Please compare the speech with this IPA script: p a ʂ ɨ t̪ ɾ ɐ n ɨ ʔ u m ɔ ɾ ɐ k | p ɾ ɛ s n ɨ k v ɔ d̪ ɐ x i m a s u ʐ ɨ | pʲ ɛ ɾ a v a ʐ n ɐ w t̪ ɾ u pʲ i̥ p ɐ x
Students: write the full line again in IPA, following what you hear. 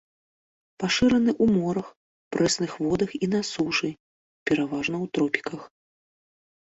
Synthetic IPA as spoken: p a ʂ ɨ ɾ ɐ n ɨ ʔ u m ɔ ɾ ɐ x | p ɾ ɛ s n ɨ x v ɔ d̪ ɐ x i n a s u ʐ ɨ | pʲ ɛ ɾ a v a ʐ n ɐ w t̪ ɾ ɔ pʲ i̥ k ɐ x